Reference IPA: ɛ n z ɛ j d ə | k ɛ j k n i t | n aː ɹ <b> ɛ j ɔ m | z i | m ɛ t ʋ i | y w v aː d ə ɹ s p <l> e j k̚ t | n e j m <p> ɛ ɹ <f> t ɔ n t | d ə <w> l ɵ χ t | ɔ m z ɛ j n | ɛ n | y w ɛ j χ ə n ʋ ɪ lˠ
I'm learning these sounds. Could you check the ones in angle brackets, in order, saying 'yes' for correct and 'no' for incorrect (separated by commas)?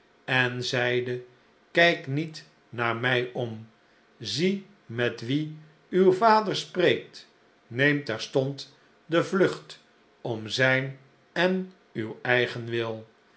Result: no, no, no, no, no